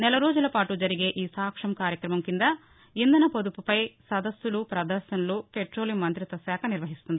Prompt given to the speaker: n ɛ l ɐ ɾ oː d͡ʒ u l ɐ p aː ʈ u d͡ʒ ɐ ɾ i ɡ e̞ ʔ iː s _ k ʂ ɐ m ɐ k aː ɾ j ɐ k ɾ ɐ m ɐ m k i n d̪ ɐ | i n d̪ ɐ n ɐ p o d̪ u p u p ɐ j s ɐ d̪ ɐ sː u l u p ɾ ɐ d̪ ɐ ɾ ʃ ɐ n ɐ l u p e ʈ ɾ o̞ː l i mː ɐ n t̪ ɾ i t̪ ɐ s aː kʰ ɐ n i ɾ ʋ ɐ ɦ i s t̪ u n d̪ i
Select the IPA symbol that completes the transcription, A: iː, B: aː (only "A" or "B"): B